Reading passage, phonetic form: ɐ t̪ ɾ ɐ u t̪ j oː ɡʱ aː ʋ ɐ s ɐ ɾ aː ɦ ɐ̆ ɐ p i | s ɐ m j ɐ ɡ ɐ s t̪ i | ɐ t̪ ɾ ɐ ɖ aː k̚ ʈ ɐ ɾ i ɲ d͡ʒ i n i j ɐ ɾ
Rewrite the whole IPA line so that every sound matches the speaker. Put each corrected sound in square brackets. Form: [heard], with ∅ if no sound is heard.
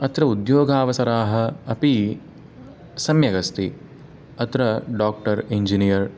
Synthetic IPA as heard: ɐ t̪ ɾ ɐ u [d̪] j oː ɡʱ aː ʋ ɐ s ɐ ɾ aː ɦ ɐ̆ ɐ p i | s ɐ m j ɐ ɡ ɐ s t̪ i | ɐ t̪ ɾ ɐ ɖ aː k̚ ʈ ɐ ɾ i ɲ d͡ʒ i n i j ɐ ɾ